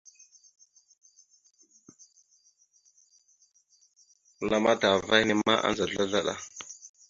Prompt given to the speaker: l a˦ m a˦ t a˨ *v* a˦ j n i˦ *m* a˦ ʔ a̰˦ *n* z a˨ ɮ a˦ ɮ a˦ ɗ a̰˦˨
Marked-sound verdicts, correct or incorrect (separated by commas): correct, correct, correct